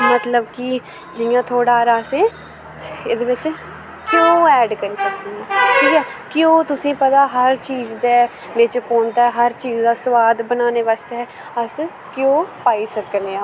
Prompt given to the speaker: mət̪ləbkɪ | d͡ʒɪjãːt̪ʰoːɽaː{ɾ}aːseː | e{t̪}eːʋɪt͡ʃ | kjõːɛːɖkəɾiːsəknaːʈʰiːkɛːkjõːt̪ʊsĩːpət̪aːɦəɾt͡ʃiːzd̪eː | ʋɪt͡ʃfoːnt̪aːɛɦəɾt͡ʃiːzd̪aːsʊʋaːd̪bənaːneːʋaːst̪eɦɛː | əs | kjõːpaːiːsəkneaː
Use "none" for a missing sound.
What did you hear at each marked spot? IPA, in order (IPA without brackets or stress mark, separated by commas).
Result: ɾ, d̪